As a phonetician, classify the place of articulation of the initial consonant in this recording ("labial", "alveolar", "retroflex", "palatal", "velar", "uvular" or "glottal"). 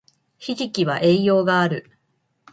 palatal